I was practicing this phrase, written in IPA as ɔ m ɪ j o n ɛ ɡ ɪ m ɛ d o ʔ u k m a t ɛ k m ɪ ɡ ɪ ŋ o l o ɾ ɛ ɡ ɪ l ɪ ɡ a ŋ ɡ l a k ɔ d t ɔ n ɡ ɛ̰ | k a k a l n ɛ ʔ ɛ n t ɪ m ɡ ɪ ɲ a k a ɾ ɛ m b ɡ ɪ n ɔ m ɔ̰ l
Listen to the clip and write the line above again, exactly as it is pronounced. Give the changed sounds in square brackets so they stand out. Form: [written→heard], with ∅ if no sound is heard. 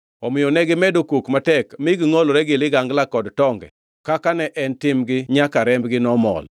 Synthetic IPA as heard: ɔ m ɪ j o n ɛ ɡ ɪ m ɛ d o [ʔ→k] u k m a t ɛ k m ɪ ɡ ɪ ŋ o l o ɾ ɛ ɡ ɪ l ɪ ɡ a ŋ ɡ l a k ɔ d t ɔ [n→ŋ] ɡ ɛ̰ | k a k a [l→∅] n ɛ ʔ ɛ n t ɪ m ɡ ɪ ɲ a k a ɾ ɛ m b ɡ ɪ n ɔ m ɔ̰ l